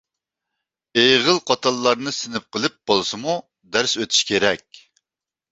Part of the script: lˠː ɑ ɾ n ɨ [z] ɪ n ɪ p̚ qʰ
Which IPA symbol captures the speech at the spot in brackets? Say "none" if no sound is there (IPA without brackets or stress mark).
s